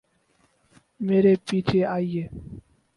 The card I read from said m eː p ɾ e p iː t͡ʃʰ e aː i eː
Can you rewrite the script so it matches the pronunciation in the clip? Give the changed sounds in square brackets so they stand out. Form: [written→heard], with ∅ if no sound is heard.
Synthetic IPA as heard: m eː [p→∅] ɾ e p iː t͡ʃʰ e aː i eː